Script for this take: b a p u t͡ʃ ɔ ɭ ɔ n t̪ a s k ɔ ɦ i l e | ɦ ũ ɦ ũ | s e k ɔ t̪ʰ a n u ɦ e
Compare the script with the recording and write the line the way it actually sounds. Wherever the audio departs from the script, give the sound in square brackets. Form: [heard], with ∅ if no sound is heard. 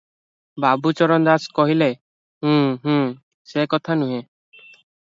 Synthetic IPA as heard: b a [b] u t͡ʃ ɔ [ɾ] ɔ n [d̪] a s k ɔ ɦ i l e | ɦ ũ ɦ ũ | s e k ɔ t̪ʰ a n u ɦ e